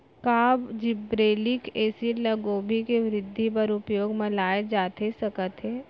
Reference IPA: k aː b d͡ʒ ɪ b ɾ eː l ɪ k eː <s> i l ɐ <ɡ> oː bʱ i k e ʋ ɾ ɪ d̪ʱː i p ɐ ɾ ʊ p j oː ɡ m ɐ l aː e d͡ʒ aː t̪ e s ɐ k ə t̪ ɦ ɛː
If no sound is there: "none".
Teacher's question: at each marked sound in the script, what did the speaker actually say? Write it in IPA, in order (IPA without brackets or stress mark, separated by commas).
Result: s, ɡ